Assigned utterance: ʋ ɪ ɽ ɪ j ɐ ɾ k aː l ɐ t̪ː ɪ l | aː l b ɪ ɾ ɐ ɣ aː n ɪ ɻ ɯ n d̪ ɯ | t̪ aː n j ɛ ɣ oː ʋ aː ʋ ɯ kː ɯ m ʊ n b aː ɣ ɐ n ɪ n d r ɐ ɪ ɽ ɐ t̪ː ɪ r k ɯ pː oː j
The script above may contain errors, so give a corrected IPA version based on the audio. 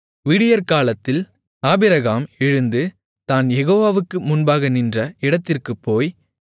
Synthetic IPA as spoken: ʋ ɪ ɽ ɪ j ɐ ɾ k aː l ɐ t̪ː ɪ l | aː b ɪ ɾ ɐ ɣ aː m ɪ ɻ ɯ n d̪ ɯ | t̪ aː n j ɛ ɣ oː ʋ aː ʋ ɯ kː ɯ m ʊ n b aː ɣ ɐ n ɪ n d r ɐ ɪ ɽ ɐ t̪ː ɪ r k ɯ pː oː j

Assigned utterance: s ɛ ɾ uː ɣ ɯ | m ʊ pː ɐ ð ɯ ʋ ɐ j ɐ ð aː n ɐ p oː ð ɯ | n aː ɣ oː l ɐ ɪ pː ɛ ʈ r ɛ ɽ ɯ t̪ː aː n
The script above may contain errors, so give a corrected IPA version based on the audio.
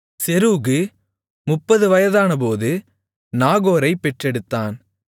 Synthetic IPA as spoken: s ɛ ɾ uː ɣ ɯ | m ʊ pː ɐ ð ɯ ʋ ɐ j ɐ ð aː n ɐ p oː ð ɯ | n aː ɣ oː ɾ ɐ ɪ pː ɛ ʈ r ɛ ɽ ɯ t̪ː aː n

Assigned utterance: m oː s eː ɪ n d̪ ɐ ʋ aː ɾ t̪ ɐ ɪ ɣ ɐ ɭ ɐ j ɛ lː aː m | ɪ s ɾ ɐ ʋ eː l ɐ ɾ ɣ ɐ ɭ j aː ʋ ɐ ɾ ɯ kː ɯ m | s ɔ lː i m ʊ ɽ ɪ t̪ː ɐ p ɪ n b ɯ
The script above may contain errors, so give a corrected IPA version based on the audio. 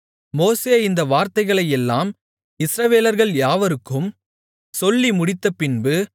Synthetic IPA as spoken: m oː s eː ɪ n d̪ ɐ ʋ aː ɾ t̪ ɐ ɪ ɣ ɐ ɭ ɐ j ɛ lː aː m | ɪ s ɾ ɐ ʋ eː l ɐ ɾ ɣ ɐ ɭ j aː ʋ ɐ ɾ ɯ kː ɯ m | s ɔ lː i m ʊ ɽ ɪ t̪ː ɐ p ɪ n b ɯ

